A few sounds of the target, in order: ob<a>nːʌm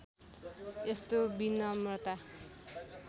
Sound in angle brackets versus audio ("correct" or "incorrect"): incorrect